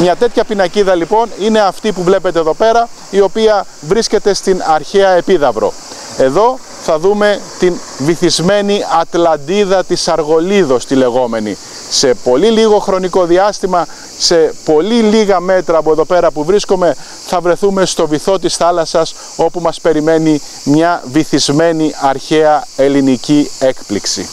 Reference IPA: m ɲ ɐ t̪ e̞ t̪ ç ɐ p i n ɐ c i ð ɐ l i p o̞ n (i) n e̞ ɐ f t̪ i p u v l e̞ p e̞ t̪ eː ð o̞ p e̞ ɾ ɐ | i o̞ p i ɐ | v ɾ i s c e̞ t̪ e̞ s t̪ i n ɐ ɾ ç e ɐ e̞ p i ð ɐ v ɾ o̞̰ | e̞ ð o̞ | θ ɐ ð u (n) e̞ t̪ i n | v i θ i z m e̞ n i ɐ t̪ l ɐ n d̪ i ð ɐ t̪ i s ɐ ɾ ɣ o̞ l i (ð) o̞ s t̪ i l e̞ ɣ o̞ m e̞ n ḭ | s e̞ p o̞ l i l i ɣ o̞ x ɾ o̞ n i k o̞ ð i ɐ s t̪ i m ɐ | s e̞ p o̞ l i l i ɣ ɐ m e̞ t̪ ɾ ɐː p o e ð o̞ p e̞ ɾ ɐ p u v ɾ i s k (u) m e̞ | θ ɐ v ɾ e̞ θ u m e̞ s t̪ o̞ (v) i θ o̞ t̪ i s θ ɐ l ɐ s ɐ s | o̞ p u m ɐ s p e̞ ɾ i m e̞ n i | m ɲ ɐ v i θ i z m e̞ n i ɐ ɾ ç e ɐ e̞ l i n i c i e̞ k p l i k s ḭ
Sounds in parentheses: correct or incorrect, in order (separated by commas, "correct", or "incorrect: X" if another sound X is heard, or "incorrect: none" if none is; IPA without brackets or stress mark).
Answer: correct, incorrect: m, correct, incorrect: o, correct